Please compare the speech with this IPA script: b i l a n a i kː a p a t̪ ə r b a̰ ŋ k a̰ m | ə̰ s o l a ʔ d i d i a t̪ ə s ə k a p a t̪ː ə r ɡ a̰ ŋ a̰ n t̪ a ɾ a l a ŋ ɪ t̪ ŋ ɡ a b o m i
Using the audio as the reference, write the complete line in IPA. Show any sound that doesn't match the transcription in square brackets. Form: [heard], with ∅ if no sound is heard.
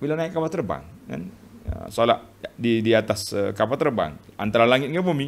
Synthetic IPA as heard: b i l a n a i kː a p a t̪ ə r b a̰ ŋ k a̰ [n] | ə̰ s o l a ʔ d i d i a t̪ [a] s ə k a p a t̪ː ə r [b] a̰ ŋ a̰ n t̪ a ɾ a l a ŋ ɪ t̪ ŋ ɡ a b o m i

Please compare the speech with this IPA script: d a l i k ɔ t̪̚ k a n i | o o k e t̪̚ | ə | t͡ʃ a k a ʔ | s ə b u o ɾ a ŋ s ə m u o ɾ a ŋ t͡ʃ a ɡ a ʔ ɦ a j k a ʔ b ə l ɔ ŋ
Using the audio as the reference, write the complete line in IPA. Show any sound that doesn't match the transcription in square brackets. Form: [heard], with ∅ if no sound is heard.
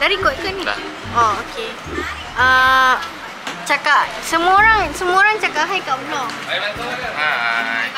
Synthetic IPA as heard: d a [ɾ] i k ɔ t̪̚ k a n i | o o k e [∅] | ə | t͡ʃ a k a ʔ | s ə [m] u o ɾ a ŋ s ə m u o ɾ a ŋ t͡ʃ a [k] a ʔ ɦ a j k a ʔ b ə l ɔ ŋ

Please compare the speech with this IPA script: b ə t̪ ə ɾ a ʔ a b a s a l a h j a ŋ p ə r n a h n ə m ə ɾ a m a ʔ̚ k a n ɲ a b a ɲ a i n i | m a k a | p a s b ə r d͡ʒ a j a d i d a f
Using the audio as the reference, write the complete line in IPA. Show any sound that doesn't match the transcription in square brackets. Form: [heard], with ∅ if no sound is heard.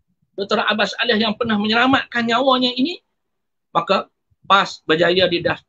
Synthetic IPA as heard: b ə t̪ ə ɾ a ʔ a b a s a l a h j a ŋ p ə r n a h [m] ə [ɲ] ə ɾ a m a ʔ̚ k a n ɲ a [w] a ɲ a i n i | m a k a | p a s b ə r d͡ʒ a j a d i d a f

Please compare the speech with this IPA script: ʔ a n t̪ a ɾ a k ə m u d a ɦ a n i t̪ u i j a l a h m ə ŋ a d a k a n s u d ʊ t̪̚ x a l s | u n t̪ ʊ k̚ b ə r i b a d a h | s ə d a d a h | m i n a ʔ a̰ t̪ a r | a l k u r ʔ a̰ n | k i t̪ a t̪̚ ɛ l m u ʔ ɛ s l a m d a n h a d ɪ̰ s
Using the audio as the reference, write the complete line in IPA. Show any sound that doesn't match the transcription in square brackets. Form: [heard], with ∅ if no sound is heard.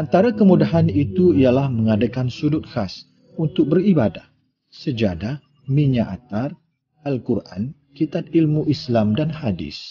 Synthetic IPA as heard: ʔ a n t̪ a ɾ a k ə m u d a ɦ a n i t̪ u i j a l a h m ə ŋ a d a k a n s u d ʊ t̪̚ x a [∅] s | u n t̪ ʊ k̚ b ə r i b a d a h | s ə [d͡ʒ] a d a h | m i [ɲ] a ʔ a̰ t̪ a r | a l k u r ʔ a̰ n | k i t̪ a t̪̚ [i] l m u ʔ [i] s l a m d a n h a d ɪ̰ s

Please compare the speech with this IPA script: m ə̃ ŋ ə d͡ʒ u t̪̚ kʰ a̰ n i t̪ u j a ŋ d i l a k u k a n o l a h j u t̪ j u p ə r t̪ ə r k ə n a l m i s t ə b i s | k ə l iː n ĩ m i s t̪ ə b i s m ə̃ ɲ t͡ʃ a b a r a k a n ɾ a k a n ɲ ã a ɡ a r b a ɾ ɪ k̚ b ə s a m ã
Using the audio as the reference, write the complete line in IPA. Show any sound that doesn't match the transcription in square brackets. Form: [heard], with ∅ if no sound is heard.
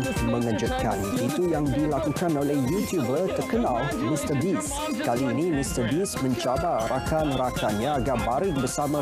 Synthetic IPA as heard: m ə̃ ŋ ə d͡ʒ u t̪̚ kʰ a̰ n i t̪ u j a ŋ d i l a k u k a n o l [ɛ] h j u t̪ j u [b] ə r t̪ ə r k ə n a l m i s t ə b i s | k [a] l iː n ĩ m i s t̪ ə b i s m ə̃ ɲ t͡ʃ a b a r a k a n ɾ a k a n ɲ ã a ɡ a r b a ɾ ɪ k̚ b ə s a m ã

